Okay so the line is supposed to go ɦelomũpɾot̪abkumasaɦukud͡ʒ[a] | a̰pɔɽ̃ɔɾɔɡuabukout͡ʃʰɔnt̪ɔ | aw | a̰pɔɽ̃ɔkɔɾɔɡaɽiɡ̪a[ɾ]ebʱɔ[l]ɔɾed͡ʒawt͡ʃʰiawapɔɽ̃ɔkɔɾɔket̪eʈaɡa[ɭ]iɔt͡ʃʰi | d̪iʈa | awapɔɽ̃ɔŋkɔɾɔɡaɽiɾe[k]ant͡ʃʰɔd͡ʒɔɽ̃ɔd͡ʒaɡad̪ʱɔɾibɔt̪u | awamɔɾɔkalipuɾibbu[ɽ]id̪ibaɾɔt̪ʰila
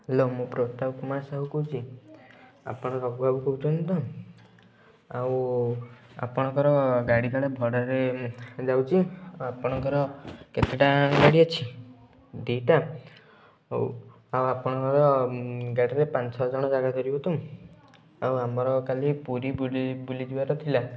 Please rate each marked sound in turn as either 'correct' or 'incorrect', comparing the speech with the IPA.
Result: incorrect: i, incorrect: ɭ, incorrect: ɽ, incorrect: ɽ, incorrect: p, incorrect: l

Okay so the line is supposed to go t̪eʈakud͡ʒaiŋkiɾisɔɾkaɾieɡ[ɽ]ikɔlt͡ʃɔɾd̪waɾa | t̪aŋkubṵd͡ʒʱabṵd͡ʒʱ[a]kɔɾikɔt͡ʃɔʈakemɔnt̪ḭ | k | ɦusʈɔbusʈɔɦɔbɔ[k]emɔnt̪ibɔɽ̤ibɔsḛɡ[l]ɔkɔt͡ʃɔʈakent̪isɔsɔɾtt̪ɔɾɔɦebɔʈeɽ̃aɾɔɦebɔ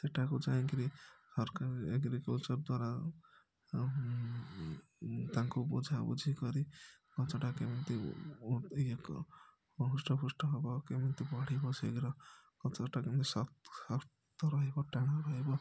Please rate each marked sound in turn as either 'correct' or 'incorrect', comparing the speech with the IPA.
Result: incorrect: ɾ, incorrect: i, correct, incorrect: ɾ

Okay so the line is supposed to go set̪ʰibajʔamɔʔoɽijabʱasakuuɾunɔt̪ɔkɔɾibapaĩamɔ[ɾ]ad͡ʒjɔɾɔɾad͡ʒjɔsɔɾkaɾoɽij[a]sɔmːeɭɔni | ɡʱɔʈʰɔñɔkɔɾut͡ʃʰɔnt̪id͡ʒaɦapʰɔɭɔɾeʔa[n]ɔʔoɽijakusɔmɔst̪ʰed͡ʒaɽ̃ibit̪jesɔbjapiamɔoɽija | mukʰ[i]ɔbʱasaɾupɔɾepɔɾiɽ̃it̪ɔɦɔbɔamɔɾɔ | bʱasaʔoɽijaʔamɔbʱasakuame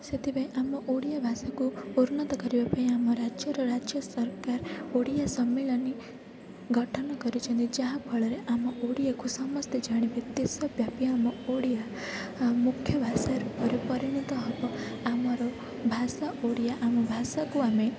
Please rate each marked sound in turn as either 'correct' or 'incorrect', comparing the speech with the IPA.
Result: correct, correct, incorrect: m, incorrect: j

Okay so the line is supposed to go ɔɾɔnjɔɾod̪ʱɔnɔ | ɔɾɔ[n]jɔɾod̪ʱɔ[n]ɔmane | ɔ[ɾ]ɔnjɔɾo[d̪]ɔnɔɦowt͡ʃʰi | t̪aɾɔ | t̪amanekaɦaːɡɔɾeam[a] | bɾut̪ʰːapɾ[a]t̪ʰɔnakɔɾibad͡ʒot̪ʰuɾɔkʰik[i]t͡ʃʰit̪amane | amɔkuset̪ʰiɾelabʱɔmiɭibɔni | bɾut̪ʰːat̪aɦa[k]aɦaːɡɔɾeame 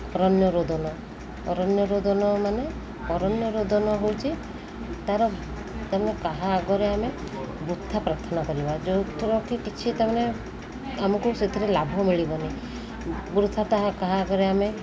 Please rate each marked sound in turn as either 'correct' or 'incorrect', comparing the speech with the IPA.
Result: correct, correct, correct, correct, incorrect: e, correct, correct, correct

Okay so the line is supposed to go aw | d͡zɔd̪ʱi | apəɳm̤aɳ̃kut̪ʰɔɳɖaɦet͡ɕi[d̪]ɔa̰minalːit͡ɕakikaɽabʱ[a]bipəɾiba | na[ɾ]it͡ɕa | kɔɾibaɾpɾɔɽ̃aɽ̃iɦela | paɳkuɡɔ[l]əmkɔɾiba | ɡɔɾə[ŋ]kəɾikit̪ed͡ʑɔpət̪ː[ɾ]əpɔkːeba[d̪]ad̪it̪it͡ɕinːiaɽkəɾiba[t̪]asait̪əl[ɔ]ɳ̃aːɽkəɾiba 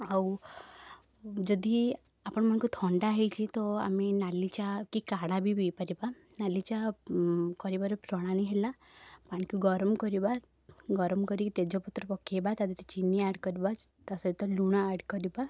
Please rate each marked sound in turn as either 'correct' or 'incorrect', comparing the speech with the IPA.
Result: incorrect: t̪, incorrect: i, incorrect: l, incorrect: ɾ, incorrect: m, correct, incorrect: t̪, correct, incorrect: u

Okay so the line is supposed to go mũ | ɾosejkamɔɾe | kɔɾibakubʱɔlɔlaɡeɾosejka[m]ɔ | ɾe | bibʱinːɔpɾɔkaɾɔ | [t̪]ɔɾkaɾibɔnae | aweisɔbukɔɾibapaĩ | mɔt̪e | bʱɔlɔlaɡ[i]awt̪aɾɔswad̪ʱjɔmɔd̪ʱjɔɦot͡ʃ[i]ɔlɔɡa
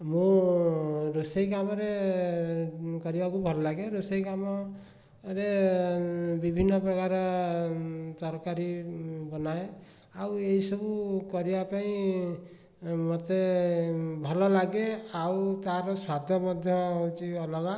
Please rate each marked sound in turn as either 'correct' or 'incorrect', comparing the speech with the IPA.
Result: correct, correct, incorrect: e, correct

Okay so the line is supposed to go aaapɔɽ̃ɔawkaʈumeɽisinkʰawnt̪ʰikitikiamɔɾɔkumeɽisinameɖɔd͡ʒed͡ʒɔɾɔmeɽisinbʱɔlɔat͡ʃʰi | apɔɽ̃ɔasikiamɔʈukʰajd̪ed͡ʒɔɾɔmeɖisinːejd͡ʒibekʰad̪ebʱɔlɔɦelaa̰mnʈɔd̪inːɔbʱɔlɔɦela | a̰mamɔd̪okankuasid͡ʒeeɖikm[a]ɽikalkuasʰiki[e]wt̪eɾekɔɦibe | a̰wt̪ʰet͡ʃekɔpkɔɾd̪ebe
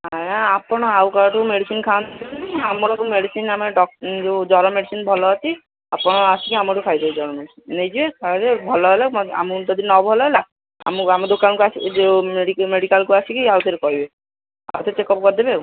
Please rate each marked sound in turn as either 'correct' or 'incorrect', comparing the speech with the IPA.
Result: incorrect: e, incorrect: a

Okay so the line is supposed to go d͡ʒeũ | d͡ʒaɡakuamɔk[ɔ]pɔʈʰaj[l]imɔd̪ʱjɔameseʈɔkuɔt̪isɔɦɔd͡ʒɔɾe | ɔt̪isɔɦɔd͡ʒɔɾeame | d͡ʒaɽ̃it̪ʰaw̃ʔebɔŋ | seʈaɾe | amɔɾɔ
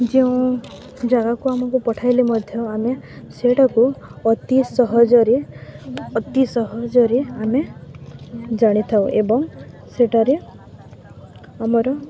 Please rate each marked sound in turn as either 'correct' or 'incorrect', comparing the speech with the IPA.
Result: incorrect: u, correct

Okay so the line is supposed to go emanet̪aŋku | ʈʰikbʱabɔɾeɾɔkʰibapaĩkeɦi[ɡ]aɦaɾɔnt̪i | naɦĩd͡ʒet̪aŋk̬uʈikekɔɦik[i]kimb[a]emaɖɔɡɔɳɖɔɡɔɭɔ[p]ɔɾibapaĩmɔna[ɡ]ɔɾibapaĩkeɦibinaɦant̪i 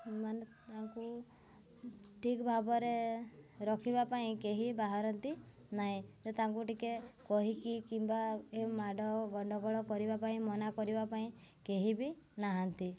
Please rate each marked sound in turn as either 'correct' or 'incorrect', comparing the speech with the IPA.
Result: incorrect: b, correct, correct, incorrect: k, incorrect: k

